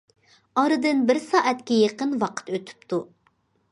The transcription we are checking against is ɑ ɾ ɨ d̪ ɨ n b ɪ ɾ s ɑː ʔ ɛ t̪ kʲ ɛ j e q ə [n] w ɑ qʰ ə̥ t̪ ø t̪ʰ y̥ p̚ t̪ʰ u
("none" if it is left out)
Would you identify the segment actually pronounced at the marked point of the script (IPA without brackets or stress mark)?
n